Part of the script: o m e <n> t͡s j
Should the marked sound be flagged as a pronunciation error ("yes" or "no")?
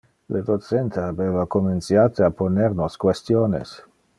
no